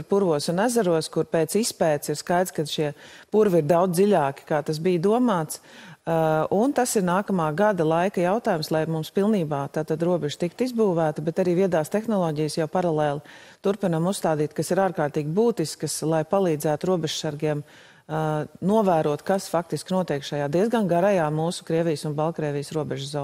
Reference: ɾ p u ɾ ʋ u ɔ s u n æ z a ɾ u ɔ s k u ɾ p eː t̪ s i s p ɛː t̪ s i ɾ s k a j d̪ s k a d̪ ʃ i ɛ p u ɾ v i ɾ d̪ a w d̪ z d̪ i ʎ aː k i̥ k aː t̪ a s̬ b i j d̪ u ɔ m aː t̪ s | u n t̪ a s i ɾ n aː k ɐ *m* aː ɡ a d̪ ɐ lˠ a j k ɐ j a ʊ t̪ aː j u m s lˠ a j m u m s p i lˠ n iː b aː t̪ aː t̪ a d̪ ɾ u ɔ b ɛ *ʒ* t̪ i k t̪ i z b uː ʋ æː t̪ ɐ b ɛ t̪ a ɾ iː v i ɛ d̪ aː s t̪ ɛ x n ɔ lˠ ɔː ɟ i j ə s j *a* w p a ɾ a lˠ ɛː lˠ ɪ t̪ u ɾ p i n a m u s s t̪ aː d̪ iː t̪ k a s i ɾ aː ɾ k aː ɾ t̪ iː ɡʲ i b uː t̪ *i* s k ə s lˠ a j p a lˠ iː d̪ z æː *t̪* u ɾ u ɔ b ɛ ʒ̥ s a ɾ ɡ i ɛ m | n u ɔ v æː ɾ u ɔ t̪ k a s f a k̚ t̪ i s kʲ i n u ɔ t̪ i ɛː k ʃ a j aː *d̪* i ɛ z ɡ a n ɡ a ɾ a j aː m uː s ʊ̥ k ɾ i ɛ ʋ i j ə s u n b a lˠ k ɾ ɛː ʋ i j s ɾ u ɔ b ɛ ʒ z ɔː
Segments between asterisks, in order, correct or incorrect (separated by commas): correct, correct, correct, correct, correct, correct